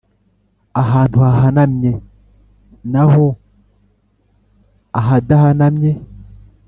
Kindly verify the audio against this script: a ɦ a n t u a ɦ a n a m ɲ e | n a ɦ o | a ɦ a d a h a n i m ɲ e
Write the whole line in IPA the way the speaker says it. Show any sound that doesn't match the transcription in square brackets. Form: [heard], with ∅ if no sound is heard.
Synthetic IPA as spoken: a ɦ a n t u a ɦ a n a m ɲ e | n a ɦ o | a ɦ a d a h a n [a] m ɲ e